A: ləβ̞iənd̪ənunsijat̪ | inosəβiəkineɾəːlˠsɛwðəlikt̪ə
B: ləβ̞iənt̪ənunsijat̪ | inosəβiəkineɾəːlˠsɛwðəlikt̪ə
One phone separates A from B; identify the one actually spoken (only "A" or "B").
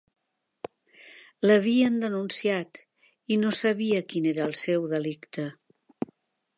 A